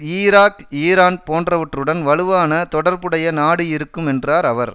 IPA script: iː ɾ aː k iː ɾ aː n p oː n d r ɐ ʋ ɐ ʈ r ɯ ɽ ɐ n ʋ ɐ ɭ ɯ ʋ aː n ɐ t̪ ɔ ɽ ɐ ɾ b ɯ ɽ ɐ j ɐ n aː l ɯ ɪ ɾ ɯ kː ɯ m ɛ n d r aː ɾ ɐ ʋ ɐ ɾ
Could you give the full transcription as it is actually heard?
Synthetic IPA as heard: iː ɾ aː k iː ɾ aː n p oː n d r ɐ ʋ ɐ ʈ r ɯ ɽ ɐ n ʋ ɐ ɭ ɯ ʋ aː n ɐ t̪ ɔ ɽ ɐ ɾ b ɯ ɽ ɐ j ɐ n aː ɽ ɯ ɪ ɾ ɯ kː ɯ m ɛ n d r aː ɾ ɐ ʋ ɐ ɾ